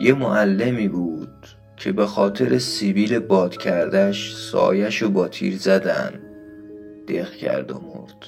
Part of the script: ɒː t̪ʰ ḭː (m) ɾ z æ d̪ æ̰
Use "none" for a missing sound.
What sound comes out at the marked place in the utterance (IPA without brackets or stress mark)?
none